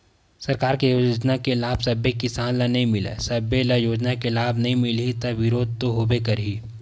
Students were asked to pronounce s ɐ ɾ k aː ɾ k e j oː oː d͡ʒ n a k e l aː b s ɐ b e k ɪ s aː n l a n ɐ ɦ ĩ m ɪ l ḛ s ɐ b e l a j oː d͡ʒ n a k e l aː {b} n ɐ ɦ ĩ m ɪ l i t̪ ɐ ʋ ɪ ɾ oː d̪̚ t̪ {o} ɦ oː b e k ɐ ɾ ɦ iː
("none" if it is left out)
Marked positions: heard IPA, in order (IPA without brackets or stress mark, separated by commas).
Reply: b, o